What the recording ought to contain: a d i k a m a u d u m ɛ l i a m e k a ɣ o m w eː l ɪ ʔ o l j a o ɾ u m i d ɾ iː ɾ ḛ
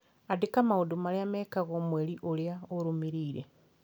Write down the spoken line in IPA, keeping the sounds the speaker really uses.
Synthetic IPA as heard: a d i k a m a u d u m a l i a m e k a ɣ o m w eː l i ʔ o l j a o ɾ u m i ɾ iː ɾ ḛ